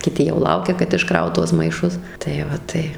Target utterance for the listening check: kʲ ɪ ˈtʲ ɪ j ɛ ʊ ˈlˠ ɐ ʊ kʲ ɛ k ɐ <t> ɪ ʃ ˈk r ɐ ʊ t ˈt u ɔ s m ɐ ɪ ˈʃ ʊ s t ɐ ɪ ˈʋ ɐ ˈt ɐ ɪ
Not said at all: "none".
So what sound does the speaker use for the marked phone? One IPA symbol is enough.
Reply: t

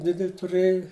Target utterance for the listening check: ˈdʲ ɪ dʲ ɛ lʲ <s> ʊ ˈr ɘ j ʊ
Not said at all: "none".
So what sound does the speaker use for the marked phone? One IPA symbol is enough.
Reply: t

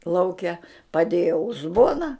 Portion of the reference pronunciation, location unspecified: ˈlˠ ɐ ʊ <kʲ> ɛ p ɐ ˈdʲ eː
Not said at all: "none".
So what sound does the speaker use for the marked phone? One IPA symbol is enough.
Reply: kʲ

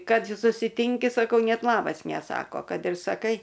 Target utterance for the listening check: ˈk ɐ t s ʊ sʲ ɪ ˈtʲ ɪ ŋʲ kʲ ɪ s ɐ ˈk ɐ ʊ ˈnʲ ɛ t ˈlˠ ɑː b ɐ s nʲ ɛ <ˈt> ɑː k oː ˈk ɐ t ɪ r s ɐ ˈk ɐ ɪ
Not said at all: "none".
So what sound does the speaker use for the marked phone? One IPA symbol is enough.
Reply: s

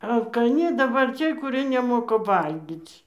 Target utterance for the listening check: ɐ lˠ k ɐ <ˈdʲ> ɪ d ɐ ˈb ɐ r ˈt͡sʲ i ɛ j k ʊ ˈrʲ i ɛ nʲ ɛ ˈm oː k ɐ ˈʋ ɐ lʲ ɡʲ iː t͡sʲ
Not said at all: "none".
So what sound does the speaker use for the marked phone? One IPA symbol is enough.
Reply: nʲ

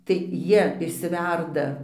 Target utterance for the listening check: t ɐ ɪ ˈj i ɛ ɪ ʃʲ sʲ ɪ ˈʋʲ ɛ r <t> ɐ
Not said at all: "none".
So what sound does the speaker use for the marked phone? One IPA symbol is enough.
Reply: d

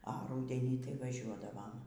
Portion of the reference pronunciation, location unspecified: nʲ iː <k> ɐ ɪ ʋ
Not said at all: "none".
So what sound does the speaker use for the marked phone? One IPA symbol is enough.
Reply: t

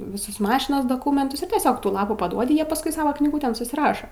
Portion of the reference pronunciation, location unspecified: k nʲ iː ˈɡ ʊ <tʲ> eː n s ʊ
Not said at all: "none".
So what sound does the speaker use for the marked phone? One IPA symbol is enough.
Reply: tʲ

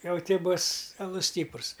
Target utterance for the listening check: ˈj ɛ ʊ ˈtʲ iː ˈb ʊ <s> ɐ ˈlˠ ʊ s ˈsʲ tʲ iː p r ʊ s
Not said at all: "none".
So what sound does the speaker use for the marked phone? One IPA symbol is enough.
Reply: s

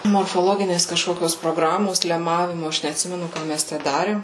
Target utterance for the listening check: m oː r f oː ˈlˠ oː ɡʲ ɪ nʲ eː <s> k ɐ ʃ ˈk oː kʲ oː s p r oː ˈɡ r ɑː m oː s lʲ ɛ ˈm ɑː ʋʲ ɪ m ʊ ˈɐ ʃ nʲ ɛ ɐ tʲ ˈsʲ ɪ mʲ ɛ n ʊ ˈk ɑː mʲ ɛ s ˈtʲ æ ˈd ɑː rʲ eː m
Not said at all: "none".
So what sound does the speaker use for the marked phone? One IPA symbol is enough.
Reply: s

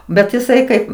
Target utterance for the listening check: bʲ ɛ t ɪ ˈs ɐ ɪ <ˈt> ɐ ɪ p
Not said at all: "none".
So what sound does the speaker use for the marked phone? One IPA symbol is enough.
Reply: k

